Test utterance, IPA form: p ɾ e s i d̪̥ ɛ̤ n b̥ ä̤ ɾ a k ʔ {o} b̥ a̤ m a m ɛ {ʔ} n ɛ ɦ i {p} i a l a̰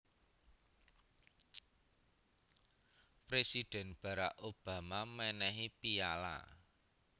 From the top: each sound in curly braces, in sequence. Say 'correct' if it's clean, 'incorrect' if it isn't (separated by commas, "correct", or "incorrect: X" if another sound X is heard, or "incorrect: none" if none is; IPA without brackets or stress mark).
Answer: correct, incorrect: none, correct